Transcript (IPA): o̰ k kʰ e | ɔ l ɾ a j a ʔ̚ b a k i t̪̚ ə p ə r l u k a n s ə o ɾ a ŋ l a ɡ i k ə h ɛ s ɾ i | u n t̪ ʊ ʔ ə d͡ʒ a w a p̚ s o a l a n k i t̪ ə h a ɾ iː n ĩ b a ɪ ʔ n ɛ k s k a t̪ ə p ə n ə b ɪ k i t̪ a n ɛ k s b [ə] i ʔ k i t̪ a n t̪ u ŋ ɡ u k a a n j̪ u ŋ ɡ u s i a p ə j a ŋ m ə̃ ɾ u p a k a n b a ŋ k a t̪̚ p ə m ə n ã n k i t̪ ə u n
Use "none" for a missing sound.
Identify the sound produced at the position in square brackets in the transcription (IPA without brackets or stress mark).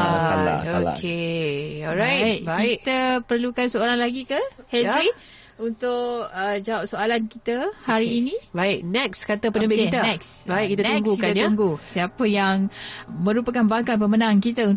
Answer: a